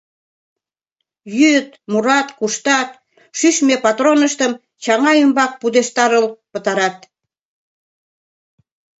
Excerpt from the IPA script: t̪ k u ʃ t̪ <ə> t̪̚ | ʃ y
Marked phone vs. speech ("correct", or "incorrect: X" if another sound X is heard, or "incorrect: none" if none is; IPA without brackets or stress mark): incorrect: ɑ